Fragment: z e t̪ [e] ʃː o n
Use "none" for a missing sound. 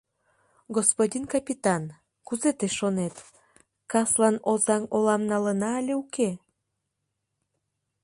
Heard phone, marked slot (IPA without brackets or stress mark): e